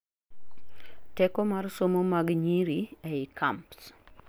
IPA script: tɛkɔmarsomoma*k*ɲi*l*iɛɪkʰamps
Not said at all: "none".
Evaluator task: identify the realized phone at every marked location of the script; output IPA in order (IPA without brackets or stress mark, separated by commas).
ɡ, ɾ